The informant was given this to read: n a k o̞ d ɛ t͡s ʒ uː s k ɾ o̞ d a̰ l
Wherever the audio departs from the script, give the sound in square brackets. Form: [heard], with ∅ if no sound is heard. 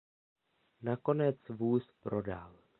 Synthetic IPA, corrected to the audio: n a k o̞ [n] ɛ t͡s [v] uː s [p] ɾ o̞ d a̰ l

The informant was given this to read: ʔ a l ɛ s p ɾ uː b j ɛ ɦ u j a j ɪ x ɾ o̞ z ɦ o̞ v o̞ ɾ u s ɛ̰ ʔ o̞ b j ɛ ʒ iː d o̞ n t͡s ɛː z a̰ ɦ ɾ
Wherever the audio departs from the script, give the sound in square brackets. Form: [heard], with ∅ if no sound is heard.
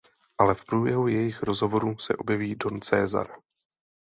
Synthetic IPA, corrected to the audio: ʔ a l ɛ [f] p ɾ uː b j ɛ ɦ u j [ɛ] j ɪ x ɾ o̞ z ɦ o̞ v o̞ ɾ u s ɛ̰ ʔ o̞ b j ɛ [v] iː d o̞ n t͡s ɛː z a̰ [∅] ɾ

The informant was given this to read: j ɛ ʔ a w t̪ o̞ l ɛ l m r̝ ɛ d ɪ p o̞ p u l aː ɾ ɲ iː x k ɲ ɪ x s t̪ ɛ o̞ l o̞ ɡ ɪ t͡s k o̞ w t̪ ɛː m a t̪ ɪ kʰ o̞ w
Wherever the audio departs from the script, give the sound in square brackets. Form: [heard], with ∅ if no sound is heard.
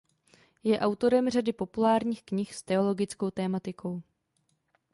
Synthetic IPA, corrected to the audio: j ɛ ʔ a w t̪ o̞ [ɾ] ɛ [∅] m r̝ [a] d ɪ p o̞ p u l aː ɾ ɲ iː x k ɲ ɪ x s t̪ ɛ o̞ l o̞ ɡ ɪ t͡s k o̞ w t̪ ɛː m a t̪ ɪ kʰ o̞ w

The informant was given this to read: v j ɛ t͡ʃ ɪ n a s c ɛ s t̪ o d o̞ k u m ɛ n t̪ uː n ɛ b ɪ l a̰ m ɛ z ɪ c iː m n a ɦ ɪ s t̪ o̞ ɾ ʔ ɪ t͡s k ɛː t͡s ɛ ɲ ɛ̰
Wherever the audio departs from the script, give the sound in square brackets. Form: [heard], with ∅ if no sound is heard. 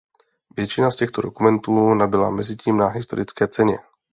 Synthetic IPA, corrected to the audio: v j ɛ t͡ʃ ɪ n a s c ɛ [x] t̪ o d o̞ k u m ɛ n t̪ uː n [a] b ɪ l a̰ m ɛ z ɪ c iː m n a ɦ ɪ s t̪ o̞ ɾ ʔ ɪ t͡s k ɛː t͡s ɛ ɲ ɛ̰

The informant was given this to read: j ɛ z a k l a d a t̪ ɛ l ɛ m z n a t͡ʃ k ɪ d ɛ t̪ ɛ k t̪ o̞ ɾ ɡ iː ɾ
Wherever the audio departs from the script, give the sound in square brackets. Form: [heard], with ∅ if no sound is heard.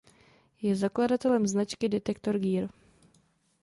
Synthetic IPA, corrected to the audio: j ɛ z a k l a d a t̪ ɛ l ɛ m z n a t͡ʃ k ɪ d ɛ t̪ ɛ k t̪ o̞ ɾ ɡ iː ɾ

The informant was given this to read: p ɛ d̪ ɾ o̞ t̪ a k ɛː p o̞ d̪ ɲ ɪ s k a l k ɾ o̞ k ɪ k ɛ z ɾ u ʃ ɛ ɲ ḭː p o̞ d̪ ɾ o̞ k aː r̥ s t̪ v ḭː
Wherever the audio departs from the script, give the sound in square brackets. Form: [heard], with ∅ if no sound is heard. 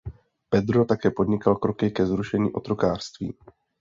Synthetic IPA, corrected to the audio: p ɛ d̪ ɾ o̞ t̪ a k ɛː p o̞ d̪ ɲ ɪ [∅] k a l k ɾ o̞ k ɪ k ɛ z ɾ u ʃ ɛ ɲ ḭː [ʔ] o̞ [t̪] ɾ o̞ k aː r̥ s t̪ v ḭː

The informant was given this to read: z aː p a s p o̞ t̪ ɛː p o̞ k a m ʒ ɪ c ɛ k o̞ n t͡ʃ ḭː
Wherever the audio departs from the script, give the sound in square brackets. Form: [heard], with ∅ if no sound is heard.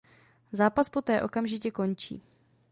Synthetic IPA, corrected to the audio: z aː p a s p o̞ t̪ ɛː [ʔ] o̞ k a m ʒ ɪ c ɛ k o̞ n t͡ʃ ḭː

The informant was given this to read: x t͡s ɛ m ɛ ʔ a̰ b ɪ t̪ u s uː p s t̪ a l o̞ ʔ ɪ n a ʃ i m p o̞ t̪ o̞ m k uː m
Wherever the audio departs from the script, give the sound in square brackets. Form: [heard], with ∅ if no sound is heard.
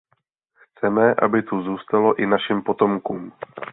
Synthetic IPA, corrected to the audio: x t͡s ɛ m ɛ ʔ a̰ b ɪ t̪ u [z] uː [∅] s t̪ a l o̞ ʔ ɪ n a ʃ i m p o̞ t̪ o̞ m k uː m

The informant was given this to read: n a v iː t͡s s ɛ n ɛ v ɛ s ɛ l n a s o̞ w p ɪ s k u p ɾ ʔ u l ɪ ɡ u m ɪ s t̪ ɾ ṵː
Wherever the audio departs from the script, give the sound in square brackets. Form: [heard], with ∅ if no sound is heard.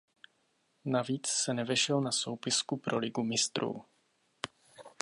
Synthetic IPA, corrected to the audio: n a v iː t͡s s ɛ n ɛ v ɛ [ʃ] ɛ l n a s o̞ w p ɪ s k u p ɾ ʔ [o] l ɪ ɡ u m ɪ s t̪ ɾ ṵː

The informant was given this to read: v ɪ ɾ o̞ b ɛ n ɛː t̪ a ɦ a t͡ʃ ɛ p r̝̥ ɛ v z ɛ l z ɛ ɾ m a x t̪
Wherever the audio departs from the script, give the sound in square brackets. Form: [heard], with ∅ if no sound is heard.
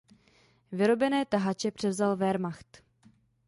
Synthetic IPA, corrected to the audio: v ɪ ɾ o̞ b ɛ n ɛː t̪ a ɦ a t͡ʃ ɛ p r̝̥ ɛ v z [a] l [v] ɛ ɾ m a x t̪

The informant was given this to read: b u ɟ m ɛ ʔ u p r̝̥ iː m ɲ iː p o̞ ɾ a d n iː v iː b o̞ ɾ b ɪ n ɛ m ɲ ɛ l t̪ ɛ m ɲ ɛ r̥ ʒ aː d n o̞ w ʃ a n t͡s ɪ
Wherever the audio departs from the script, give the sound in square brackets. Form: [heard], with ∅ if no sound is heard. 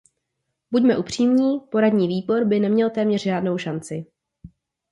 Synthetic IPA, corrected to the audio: b u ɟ m ɛ ʔ u p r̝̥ iː m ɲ iː p o̞ ɾ a d [ɲ] iː v iː b o̞ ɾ b ɪ n ɛ m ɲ ɛ l t̪ [ɛː] m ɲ ɛ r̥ ʒ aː d n o̞ w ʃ a n t͡s ɪ

